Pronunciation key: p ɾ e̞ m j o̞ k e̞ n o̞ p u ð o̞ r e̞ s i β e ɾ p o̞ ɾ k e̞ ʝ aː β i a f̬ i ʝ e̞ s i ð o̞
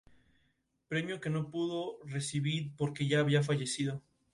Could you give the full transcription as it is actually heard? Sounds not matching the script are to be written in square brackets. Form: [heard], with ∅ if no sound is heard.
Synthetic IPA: p ɾ e̞ m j o̞ k e̞ n o̞ p u ð o̞ r e̞ s i β [i] ɾ p o̞ ɾ k e̞ ʝ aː β i a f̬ [a] ʝ e̞ s i ð o̞